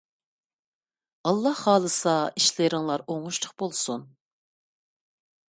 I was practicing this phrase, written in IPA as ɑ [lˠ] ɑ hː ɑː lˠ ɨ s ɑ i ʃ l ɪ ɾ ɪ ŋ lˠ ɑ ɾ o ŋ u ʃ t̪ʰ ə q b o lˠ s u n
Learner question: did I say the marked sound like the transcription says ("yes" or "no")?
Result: no